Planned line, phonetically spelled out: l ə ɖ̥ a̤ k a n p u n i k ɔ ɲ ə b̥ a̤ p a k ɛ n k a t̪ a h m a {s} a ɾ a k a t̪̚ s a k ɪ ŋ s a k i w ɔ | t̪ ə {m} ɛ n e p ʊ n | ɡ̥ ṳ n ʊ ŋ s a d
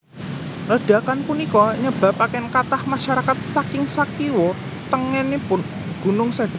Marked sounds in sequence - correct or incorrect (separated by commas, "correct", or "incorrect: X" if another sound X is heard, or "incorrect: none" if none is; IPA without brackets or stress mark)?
incorrect: ʃ, incorrect: ŋ